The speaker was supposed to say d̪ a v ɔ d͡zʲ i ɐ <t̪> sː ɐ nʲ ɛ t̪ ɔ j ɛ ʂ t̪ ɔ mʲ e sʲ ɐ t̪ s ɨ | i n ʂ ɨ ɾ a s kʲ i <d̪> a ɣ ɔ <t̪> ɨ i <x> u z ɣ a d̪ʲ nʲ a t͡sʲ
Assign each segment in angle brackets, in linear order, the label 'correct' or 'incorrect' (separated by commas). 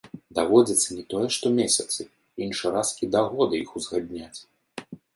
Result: correct, correct, incorrect, correct